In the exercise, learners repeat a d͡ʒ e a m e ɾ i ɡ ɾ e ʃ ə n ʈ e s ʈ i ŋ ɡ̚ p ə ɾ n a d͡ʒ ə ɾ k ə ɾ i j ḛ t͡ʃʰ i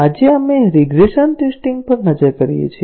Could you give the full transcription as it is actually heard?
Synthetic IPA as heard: a d͡ʒ e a m e ɾ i ɡ ɾ e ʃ ə n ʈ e s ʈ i ŋ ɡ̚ p ə ɾ n ə d͡ʒ ə ɾ k ə ɾ i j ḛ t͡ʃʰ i